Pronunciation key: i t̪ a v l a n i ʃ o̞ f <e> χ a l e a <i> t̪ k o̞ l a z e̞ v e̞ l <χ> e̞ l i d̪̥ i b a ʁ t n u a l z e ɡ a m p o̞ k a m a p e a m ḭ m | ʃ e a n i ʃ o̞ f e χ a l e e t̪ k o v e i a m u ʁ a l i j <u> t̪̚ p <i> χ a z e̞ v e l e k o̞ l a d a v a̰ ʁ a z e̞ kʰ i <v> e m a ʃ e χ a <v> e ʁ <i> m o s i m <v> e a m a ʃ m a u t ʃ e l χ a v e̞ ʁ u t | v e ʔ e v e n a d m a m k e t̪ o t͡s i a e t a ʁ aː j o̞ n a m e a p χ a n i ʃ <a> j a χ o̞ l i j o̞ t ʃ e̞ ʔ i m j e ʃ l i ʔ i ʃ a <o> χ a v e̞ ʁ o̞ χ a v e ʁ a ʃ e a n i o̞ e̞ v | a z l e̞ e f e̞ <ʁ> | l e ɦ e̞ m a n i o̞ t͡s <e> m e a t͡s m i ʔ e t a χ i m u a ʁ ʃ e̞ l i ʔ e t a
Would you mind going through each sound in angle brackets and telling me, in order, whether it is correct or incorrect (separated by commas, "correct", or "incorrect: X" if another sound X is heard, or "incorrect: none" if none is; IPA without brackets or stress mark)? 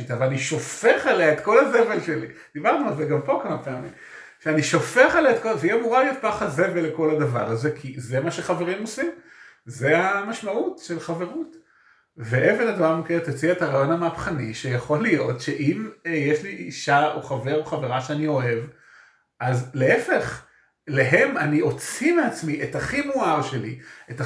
correct, incorrect: e, incorrect: ʃ, incorrect: o, incorrect: a, incorrect: z, correct, correct, incorrect: z, incorrect: e, correct, incorrect: χ, incorrect: i